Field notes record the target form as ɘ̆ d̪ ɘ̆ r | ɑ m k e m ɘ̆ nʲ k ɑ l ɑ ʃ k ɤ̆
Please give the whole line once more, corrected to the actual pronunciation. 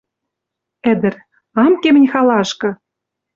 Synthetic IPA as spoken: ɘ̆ d̪ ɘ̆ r | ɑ m k e m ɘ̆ nʲ x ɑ l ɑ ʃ k ɤ̆

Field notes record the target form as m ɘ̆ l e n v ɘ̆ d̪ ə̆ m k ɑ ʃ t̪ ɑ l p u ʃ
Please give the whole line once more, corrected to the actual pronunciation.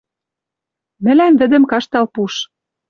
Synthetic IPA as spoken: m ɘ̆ l æ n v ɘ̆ d̪ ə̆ m k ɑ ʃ t̪ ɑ l p u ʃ

